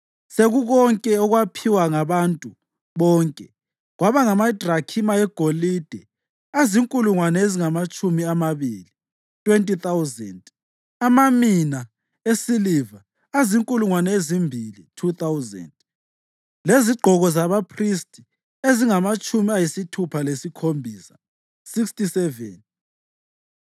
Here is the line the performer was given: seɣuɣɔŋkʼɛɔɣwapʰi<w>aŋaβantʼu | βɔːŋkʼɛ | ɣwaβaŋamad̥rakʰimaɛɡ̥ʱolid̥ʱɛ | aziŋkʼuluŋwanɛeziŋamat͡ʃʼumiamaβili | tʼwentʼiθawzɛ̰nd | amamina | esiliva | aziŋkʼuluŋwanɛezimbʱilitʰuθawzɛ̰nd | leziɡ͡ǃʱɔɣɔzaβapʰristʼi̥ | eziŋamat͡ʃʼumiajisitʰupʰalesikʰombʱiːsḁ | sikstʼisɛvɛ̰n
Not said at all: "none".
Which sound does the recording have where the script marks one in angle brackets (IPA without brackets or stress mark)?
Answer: w